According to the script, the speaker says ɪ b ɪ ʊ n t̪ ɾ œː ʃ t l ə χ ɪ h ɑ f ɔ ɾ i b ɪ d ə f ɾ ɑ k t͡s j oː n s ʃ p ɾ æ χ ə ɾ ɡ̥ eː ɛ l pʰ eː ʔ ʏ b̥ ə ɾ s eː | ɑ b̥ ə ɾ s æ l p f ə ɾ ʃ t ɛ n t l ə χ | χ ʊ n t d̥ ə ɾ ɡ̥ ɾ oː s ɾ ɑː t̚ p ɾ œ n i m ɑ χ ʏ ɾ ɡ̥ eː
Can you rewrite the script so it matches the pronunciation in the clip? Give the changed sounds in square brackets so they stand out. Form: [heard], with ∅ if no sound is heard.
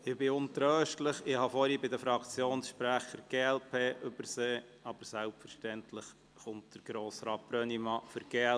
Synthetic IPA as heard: ɪ b ɪ ʊ n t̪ ɾ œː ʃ t l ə χ ɪ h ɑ f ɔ ɾ i b ɪ d ə f ɾ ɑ k t͡s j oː n s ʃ p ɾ æ χ ə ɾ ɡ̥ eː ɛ l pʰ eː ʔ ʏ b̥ ə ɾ s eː | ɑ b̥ ə ɾ s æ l p f ə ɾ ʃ t ɛ n t l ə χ | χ ʊ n t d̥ ə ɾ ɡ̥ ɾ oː s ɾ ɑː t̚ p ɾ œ n i m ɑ [f] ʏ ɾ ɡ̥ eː